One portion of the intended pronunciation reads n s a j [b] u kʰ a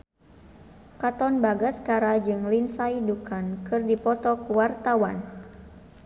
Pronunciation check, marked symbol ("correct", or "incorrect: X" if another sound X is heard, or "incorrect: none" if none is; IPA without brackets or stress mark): incorrect: d